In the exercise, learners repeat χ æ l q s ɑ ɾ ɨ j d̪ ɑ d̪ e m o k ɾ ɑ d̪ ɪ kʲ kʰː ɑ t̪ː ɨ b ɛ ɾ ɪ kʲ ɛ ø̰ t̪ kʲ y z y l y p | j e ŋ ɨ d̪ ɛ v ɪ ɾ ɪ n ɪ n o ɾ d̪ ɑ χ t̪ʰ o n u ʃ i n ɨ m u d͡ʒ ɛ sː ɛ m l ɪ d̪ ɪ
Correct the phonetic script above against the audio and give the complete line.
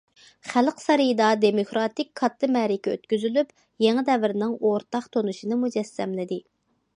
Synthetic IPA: χ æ l q s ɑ ɾ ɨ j d̪ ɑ d̪ e m o k ɾ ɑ t̪ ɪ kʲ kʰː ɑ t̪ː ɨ m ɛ ɾ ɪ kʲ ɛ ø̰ t̪ kʲ y z y l y p | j e ŋ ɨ d̪ ɛ v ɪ ɾ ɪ n ɪ ŋ o ɾ t̪ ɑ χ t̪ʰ o n u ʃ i n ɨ m u d͡ʒ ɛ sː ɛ m l ɪ d̪ ɪ